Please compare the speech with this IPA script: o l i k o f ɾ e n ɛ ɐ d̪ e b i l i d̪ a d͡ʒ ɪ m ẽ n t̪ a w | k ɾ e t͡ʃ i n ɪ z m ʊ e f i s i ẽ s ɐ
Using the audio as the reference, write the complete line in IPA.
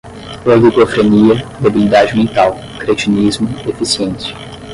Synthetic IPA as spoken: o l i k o f ɾ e n i ɐ d̪ e b i l i d̪ a d͡ʒ ɪ m ẽ n t̪ a w | k ɾ e t͡ʃ i n i z m ʊ e f i s i ẽ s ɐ